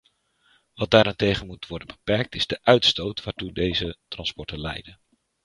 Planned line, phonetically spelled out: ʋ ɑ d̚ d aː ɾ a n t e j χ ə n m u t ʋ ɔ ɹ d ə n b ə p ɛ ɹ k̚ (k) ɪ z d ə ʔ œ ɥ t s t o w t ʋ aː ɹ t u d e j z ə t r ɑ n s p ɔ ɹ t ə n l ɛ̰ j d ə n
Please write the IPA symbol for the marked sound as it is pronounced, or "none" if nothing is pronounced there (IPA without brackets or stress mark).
t